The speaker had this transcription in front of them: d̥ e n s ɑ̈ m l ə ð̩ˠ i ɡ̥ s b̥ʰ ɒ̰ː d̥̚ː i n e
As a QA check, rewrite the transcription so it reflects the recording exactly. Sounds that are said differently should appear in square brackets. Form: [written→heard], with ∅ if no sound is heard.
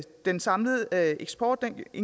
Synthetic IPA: d̥ e n s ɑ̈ m l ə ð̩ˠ [i→e] ɡ̥ s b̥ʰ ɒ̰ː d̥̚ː [i→e] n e